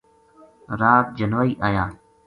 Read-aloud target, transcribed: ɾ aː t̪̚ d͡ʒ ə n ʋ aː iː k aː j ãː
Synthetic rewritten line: ɾ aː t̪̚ d͡ʒ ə n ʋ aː iː ʔ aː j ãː